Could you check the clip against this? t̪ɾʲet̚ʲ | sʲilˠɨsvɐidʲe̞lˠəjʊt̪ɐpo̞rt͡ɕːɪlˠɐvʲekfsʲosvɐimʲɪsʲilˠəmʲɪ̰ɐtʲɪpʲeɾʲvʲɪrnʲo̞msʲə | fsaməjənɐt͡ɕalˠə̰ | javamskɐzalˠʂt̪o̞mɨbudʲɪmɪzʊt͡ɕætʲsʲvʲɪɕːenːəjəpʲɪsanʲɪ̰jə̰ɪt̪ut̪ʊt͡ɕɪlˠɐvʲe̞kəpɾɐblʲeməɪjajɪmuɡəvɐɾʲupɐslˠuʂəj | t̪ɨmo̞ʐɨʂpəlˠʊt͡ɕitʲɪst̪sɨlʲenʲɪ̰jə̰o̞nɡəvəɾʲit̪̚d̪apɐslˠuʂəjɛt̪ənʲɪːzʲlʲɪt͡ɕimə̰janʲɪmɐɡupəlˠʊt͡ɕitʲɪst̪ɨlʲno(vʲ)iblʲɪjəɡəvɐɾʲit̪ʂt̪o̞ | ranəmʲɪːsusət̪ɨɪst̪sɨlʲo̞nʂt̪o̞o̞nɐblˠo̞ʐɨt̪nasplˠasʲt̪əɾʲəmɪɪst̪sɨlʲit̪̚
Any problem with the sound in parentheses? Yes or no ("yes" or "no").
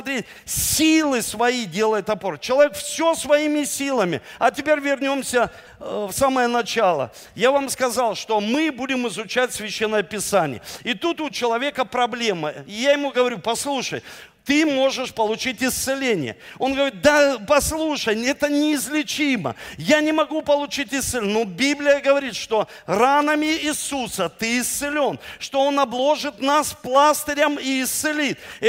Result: yes